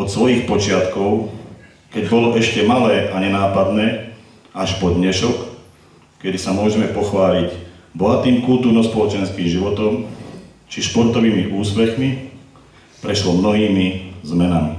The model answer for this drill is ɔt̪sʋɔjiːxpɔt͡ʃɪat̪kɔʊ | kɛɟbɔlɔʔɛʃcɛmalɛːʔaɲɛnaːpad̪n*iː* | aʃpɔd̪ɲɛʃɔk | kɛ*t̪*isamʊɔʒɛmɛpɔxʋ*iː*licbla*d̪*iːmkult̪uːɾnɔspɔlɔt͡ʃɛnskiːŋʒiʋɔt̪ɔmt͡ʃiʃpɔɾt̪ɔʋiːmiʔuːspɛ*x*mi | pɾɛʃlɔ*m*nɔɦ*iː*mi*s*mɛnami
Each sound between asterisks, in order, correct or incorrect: incorrect, incorrect, incorrect, incorrect, correct, correct, correct, incorrect

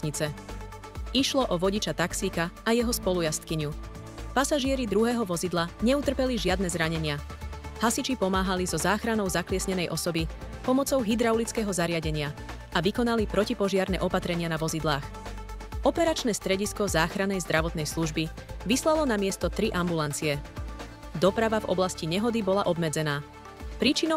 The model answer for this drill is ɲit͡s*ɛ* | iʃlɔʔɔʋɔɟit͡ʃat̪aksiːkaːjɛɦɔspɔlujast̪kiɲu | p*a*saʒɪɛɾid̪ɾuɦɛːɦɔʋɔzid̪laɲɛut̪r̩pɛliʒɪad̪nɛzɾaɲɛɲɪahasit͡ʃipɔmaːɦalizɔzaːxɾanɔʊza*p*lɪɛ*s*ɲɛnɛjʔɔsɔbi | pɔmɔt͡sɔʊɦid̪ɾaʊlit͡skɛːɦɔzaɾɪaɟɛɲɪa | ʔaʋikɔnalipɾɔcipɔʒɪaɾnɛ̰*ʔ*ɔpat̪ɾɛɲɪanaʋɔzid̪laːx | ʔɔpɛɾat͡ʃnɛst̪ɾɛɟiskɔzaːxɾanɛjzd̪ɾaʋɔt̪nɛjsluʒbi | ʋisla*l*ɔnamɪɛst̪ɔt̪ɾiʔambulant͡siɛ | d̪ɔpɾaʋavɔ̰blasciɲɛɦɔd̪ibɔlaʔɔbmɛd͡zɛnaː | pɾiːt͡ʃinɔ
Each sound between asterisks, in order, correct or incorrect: correct, correct, incorrect, correct, correct, correct

